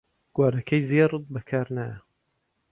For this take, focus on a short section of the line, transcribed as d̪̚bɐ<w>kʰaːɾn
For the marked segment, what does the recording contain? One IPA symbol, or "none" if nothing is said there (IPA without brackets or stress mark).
none